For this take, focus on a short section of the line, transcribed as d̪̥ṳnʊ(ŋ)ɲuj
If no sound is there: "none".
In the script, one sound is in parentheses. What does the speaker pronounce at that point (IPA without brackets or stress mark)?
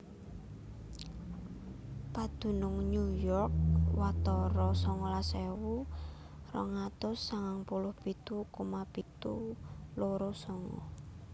ŋ